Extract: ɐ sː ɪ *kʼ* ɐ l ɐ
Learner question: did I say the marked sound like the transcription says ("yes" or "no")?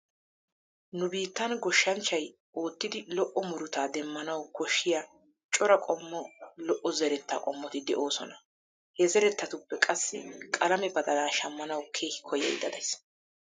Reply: yes